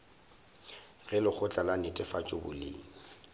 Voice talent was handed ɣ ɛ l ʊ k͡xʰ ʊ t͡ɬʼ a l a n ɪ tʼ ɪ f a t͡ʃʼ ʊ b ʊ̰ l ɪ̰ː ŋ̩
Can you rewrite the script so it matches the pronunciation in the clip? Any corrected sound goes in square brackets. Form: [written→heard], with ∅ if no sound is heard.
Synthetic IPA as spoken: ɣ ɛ l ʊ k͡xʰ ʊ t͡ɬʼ a l a n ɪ tʼ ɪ f a t͡ʃʼ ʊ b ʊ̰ l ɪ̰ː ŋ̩